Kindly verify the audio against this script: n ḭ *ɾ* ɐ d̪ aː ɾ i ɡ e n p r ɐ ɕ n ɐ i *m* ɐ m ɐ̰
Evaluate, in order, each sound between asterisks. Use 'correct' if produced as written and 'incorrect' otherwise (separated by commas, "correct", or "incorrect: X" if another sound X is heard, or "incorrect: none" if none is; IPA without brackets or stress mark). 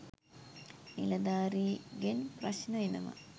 incorrect: l, incorrect: n